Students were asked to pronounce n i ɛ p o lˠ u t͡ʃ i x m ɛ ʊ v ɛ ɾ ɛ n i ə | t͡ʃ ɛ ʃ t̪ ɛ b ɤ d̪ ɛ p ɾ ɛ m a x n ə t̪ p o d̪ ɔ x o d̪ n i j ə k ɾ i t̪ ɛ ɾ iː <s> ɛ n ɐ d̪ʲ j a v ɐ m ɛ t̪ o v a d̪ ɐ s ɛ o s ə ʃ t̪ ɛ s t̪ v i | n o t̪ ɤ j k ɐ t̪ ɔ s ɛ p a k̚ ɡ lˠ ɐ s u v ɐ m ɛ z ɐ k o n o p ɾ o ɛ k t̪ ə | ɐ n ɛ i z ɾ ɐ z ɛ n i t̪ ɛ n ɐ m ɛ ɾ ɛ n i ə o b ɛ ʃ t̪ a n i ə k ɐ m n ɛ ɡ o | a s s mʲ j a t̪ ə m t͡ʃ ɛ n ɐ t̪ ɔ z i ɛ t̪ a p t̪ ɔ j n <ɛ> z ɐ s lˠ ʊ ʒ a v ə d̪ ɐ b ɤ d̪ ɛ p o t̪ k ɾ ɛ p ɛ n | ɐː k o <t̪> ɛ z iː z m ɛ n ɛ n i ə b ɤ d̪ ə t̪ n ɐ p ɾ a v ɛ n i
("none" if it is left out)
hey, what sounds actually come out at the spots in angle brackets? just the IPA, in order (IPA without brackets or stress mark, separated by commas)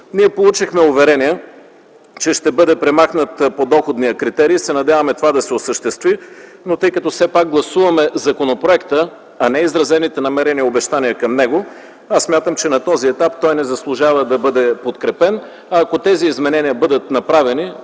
s, ɛ, t̪